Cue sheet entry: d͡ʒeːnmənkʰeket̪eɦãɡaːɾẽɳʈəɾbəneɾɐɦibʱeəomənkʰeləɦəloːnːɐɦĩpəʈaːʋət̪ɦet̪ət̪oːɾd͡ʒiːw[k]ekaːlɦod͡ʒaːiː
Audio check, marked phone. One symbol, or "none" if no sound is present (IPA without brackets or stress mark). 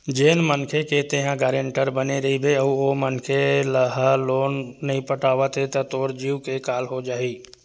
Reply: k